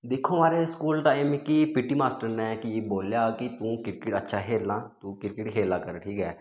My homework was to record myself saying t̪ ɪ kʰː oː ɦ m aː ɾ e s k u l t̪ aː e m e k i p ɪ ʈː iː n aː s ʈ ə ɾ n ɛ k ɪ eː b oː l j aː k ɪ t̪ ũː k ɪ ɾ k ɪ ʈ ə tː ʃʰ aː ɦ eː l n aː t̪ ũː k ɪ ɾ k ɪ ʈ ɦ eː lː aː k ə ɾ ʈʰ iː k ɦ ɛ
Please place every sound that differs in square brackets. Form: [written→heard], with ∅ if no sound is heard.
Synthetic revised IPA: [t̪→d̪] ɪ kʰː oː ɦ m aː ɾ e s k [u→uː] l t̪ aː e m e k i p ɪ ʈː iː [n→m] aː s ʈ ə ɾ n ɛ k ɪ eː b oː l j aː k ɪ t̪ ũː k ɪ ɾ k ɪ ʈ ə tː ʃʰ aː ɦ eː l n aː t̪ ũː k ɪ ɾ k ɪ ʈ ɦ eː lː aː k ə ɾ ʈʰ iː k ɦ [ɛ→ɛː]